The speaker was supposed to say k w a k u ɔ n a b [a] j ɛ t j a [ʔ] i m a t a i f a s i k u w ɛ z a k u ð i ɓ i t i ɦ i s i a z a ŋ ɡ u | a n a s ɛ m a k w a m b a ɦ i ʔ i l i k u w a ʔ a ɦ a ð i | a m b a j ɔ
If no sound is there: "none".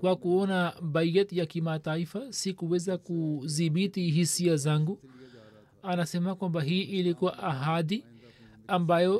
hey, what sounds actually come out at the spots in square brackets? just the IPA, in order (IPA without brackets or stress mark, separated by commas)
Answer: a, k